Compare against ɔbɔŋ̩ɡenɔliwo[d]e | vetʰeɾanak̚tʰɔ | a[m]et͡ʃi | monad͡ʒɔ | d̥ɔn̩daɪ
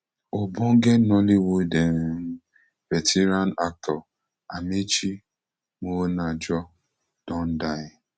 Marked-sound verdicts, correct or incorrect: correct, correct

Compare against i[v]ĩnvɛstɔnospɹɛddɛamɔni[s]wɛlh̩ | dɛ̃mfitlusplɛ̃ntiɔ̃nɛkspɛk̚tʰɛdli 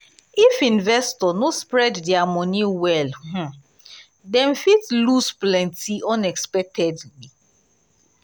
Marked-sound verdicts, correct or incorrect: incorrect, incorrect

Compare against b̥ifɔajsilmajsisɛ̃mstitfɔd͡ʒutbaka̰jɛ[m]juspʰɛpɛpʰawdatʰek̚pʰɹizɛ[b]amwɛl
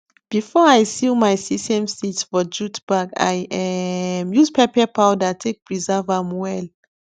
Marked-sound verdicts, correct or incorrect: correct, incorrect

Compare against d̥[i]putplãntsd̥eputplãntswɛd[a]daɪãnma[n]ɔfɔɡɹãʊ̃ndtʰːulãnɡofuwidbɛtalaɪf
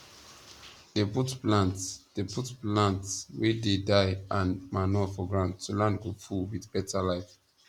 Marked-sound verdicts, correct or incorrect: incorrect, incorrect, correct

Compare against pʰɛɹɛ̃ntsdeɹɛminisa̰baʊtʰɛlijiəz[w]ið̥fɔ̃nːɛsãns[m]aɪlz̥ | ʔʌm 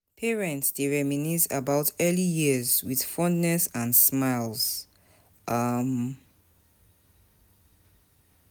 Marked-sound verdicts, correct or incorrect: correct, correct

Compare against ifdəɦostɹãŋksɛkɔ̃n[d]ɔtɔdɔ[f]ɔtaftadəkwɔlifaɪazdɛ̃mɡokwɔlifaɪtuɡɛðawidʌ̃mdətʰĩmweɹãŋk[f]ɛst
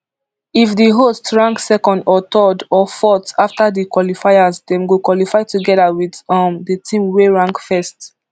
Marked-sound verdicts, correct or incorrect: correct, correct, correct

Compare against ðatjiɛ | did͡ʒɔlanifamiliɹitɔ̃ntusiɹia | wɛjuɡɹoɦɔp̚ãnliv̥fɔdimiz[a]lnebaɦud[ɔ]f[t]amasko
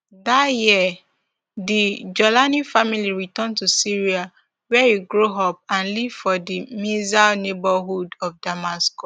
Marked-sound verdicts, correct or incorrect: correct, correct, incorrect

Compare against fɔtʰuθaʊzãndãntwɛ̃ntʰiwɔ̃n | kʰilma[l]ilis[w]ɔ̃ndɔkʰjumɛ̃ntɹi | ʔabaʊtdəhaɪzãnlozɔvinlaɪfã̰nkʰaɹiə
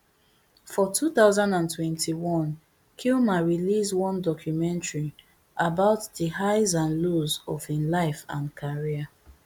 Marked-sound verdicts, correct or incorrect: incorrect, correct

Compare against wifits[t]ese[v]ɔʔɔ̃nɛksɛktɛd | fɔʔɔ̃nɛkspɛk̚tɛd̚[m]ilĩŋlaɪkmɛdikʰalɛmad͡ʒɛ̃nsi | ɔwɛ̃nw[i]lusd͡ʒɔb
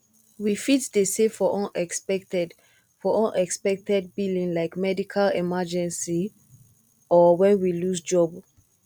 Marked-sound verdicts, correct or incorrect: incorrect, incorrect, incorrect, correct

